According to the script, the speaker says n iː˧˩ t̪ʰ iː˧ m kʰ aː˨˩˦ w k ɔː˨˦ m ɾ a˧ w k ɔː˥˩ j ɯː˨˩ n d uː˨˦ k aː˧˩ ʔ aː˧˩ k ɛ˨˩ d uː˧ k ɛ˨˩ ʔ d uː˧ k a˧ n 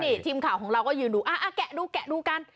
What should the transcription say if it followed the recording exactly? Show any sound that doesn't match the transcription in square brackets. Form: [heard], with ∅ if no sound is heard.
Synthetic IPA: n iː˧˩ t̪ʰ iː˧ m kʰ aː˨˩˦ w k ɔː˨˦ [ŋ] ɾ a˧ w k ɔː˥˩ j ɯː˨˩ n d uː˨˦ [ʔ] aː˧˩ ʔ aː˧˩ k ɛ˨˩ d uː˧ k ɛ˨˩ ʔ d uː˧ k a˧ n